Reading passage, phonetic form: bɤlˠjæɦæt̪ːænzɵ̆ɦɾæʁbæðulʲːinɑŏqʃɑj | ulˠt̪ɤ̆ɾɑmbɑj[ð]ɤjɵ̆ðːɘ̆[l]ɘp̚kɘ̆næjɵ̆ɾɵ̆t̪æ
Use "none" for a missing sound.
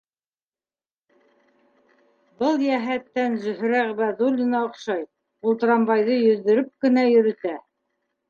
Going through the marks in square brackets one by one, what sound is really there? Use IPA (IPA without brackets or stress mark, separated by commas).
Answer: ð, ɾ